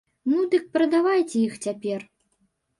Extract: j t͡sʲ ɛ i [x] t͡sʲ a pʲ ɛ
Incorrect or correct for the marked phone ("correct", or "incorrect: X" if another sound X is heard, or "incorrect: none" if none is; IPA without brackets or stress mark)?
correct